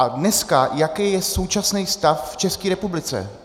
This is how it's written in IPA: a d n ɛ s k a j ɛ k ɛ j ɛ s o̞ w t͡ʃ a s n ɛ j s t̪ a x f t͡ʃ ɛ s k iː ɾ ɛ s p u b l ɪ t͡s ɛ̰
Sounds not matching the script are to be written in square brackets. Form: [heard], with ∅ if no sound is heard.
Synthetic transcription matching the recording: a d n ɛ s k a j [a] k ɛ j ɛ s o̞ w t͡ʃ a s n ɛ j s t̪ a [f] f t͡ʃ ɛ s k iː ɾ ɛ [∅] p u b l ɪ t͡s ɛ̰